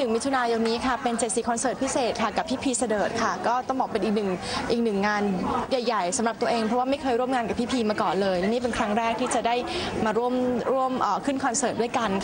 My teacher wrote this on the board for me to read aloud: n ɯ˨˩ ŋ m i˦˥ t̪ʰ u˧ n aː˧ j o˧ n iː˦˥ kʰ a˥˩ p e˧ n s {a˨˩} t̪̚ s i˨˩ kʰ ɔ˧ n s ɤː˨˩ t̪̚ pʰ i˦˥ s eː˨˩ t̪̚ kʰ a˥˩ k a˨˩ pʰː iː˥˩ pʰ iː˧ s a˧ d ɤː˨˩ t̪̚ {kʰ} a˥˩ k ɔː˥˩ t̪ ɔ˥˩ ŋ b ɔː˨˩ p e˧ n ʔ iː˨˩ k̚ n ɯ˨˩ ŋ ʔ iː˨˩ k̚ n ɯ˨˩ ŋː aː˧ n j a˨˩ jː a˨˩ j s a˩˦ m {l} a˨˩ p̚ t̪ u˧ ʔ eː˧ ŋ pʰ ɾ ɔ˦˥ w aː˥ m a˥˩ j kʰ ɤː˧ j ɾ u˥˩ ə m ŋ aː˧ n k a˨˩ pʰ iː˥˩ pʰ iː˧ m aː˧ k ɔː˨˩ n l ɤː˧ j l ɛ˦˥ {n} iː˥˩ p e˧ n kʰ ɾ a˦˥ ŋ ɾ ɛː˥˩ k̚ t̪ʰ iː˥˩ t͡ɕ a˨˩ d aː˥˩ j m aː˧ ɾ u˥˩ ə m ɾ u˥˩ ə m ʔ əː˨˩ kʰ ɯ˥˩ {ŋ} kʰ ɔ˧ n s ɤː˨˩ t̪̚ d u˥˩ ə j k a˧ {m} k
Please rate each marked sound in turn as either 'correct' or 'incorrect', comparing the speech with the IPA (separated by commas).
incorrect, correct, incorrect, correct, incorrect, incorrect